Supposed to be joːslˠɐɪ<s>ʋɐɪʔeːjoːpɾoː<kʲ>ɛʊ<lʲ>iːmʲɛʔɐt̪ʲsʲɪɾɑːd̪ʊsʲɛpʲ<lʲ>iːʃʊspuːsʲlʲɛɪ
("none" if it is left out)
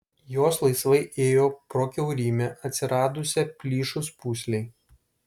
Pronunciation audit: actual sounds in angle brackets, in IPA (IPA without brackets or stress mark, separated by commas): s, kʲ, ɾʲ, lʲ